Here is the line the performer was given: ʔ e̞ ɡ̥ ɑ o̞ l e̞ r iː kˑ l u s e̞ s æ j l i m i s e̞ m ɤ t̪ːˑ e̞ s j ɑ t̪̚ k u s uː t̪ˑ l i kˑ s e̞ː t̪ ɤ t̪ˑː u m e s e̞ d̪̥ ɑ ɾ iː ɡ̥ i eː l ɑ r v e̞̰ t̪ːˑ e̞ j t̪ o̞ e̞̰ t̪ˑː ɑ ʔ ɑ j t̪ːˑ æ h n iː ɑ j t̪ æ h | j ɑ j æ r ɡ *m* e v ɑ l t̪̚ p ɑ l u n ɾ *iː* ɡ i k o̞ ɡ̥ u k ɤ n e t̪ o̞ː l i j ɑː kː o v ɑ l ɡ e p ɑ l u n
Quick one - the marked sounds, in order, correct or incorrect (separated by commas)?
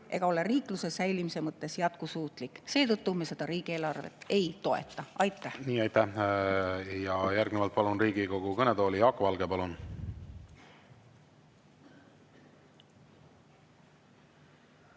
incorrect, correct